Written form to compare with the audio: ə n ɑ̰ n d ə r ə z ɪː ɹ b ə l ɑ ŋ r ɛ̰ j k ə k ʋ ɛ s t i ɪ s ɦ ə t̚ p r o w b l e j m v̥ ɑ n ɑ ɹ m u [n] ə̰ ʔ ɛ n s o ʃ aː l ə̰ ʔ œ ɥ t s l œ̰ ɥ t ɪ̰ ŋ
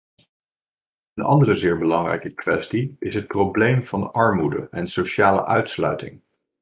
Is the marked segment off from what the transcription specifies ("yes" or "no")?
yes